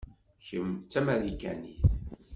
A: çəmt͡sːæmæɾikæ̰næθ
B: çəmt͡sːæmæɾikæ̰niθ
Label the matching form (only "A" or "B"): B